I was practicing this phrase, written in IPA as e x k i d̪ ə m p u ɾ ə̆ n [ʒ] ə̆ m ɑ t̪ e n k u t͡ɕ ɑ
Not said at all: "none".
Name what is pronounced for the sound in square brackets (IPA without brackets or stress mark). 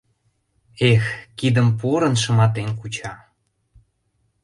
ʃ